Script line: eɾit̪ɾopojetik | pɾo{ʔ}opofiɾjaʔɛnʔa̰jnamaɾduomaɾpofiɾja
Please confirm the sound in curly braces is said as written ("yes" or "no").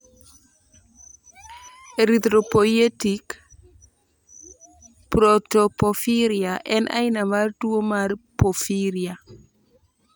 no